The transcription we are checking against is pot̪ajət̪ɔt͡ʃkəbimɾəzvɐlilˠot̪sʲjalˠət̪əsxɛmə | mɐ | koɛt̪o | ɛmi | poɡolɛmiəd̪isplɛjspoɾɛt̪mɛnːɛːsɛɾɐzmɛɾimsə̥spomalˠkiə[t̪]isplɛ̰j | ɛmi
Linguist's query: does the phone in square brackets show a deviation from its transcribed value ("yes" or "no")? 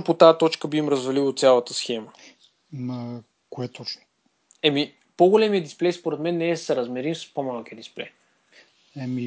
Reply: yes